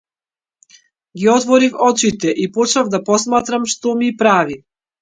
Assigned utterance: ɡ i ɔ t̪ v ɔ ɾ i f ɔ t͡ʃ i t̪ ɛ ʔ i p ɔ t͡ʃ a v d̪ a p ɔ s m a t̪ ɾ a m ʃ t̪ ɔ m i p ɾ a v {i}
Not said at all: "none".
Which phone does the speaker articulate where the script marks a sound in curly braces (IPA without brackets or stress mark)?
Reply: i